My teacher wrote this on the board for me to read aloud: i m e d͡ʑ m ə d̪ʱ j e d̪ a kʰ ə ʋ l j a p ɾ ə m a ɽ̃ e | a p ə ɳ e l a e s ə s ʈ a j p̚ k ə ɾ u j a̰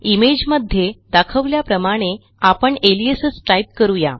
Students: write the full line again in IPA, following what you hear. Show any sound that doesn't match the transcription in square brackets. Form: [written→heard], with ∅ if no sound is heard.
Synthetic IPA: i m e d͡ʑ m ə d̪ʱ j e d̪ a kʰ ə ʋ l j a p ɾ ə m a ɽ̃ e | a p ə ɳ e l [a→i] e s ə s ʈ a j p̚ k ə ɾ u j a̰